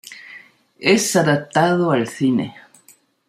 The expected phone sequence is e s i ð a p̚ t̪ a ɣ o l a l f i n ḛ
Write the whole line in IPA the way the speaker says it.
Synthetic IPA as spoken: e s a ð a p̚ t̪ a ð o a l θ i n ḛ